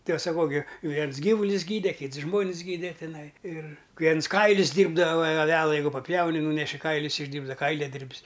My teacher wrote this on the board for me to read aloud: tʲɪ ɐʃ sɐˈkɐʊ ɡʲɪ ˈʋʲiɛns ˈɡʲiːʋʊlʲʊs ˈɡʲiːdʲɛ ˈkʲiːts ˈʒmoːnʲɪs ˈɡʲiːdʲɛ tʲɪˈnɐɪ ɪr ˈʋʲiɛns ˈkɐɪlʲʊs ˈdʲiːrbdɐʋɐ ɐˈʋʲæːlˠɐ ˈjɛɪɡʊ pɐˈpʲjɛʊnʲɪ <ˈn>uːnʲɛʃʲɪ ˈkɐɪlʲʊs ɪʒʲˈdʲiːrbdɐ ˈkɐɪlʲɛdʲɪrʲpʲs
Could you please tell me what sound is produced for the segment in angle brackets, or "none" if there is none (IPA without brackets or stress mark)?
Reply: n